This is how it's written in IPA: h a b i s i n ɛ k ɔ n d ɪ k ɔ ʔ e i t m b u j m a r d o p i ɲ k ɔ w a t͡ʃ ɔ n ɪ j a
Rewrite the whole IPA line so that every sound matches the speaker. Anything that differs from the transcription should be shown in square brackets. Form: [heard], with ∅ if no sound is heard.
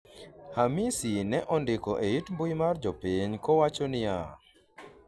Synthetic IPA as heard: h a [m] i s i n ɛ [ʔ] ɔ n d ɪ k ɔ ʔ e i t m b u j m a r [d͡ʒ] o p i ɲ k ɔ w a t͡ʃ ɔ n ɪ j a